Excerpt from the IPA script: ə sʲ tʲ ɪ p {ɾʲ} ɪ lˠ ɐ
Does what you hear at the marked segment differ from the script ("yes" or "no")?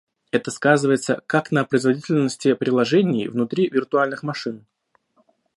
no